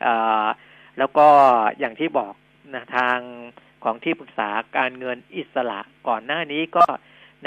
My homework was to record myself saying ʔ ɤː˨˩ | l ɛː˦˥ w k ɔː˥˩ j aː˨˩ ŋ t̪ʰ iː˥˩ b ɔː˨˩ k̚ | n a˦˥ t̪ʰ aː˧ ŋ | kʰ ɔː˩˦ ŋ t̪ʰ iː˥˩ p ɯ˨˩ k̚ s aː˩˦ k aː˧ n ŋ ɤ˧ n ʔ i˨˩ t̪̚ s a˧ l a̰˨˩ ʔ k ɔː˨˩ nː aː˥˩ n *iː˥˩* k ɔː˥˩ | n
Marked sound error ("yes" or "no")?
yes